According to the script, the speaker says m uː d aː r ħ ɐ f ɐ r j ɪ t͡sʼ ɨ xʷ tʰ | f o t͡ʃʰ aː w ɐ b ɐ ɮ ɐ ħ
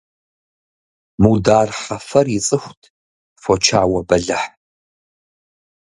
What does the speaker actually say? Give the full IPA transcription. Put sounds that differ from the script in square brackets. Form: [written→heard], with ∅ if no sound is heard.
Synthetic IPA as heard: m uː d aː r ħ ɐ f ɐ r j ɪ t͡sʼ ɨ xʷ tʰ | f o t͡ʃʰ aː w ɐ b ɐ ɮ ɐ ħ